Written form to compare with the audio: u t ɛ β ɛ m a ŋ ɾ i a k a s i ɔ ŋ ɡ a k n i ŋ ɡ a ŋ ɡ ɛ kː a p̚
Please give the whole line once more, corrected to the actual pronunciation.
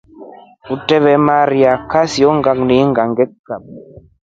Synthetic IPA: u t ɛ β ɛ m a ɾ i a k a s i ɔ ŋ ɡ a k n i ŋ ɡ a ŋ ɡ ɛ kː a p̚